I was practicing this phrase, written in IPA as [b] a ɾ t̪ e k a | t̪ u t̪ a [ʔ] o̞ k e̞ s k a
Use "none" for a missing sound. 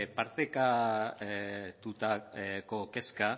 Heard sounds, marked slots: p, k

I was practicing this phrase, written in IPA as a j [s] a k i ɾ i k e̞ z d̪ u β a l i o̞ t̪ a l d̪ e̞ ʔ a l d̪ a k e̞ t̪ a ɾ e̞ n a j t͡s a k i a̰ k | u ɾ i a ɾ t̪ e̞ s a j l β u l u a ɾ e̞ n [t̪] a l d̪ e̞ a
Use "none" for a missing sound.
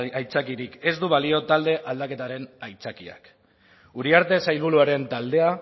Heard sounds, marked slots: t͡s, t̪

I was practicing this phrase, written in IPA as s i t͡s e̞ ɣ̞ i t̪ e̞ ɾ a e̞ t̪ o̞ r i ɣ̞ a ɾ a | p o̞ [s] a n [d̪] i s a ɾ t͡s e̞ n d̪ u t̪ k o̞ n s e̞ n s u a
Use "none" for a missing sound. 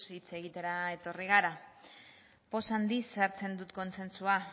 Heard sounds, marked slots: s, d̪

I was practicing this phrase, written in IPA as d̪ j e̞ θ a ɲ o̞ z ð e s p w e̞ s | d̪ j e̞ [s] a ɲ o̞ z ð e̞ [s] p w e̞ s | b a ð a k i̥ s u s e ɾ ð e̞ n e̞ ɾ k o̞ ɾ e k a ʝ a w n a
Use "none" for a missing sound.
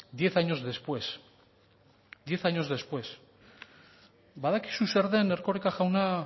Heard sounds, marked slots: θ, s

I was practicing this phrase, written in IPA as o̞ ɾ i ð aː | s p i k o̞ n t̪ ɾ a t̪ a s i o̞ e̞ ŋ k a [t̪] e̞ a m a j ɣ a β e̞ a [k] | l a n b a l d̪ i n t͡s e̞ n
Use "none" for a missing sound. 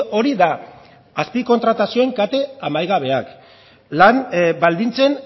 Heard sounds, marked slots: t̪, k

